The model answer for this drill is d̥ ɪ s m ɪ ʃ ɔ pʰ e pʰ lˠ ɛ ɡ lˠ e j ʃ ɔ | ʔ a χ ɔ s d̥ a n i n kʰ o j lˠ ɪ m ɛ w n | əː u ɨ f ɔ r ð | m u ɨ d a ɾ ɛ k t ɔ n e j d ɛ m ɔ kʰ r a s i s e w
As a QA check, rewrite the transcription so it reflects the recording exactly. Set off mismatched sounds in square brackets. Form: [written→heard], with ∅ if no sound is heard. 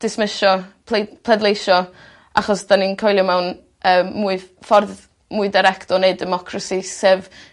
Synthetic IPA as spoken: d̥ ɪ s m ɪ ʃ ɔ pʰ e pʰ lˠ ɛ [ɡ→d] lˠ e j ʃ ɔ | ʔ a χ ɔ s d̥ a n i n kʰ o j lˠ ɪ m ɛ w n | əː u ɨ f ɔ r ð | m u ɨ d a ɾ ɛ k t ɔ n e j d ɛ m ɔ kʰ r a s i s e [w→v]